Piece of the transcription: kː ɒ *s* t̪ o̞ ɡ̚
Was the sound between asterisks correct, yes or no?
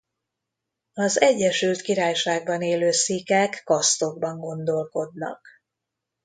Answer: yes